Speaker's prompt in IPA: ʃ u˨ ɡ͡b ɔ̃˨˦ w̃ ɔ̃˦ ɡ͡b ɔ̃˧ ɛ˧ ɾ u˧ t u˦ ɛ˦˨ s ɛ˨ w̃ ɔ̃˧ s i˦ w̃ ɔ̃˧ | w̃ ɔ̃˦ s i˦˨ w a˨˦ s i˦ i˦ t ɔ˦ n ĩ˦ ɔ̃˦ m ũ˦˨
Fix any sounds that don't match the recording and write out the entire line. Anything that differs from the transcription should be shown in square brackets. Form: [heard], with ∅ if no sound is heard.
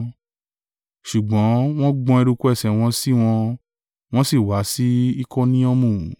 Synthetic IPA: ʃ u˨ ɡ͡b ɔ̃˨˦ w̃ ɔ̃˦ ɡ͡b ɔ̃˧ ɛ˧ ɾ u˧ [k] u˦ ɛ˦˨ s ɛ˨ w̃ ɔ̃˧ s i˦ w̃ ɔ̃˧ | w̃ ɔ̃˦ s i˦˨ w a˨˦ s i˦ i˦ [k] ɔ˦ n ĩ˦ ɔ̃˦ m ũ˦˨